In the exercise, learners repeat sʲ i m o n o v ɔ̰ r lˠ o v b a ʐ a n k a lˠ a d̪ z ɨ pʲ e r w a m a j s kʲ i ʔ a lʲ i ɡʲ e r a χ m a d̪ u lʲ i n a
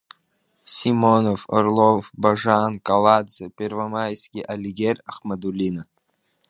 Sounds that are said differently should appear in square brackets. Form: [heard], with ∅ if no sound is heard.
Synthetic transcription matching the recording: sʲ i m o n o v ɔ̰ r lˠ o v b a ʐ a n k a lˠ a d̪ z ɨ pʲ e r [v] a m a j s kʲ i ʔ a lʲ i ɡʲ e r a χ m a d̪ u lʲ i n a